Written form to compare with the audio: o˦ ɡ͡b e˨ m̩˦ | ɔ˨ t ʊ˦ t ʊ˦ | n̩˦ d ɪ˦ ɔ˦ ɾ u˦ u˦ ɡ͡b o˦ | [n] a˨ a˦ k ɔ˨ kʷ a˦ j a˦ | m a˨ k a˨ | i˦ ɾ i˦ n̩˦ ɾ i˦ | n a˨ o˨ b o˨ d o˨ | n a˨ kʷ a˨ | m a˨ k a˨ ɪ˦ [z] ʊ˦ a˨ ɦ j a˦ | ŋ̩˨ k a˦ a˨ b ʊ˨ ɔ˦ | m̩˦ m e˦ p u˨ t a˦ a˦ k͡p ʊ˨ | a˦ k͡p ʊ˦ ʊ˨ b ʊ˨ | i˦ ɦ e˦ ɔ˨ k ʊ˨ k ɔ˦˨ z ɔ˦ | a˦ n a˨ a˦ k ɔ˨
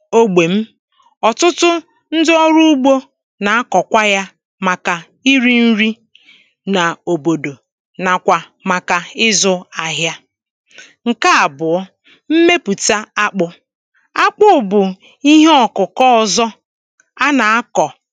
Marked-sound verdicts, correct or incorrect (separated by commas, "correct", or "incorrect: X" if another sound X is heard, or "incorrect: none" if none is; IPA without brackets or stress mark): correct, correct